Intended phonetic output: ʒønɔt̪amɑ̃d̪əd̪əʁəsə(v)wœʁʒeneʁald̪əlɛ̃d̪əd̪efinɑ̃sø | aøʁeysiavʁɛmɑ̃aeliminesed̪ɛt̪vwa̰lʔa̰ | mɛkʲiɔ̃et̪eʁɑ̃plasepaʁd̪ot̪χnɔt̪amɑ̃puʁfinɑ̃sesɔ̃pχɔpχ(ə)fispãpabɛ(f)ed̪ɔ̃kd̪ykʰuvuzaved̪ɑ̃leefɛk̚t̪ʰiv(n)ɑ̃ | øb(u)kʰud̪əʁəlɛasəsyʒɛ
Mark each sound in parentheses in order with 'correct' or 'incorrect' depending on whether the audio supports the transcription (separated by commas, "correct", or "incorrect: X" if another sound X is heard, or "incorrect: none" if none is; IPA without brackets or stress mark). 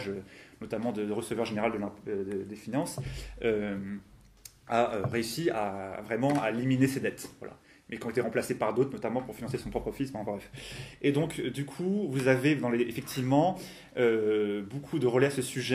correct, correct, correct, incorrect: m, incorrect: o